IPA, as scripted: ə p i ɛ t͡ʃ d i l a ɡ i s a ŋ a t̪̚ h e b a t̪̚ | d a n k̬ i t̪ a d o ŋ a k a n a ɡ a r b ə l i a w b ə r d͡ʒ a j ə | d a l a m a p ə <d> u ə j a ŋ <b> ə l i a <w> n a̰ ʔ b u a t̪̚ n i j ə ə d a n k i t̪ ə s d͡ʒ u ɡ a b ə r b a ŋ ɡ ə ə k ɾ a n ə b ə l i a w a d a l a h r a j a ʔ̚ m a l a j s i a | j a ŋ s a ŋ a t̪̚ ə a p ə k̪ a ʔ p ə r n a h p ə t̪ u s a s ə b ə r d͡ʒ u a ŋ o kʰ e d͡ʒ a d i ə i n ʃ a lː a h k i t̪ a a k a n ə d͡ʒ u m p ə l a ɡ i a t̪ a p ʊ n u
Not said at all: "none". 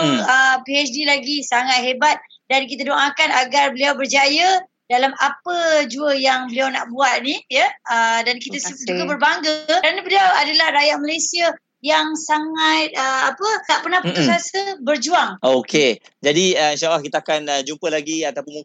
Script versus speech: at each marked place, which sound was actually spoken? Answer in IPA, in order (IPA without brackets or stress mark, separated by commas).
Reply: d͡ʒ, b, w